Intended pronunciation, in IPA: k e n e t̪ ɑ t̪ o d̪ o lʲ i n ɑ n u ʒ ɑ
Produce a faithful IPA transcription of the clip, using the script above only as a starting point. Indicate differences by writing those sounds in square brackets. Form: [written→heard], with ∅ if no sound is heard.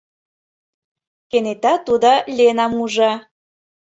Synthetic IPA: k e n e t̪ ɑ t̪ [o→u] d̪ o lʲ [i→e] n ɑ [n→m] u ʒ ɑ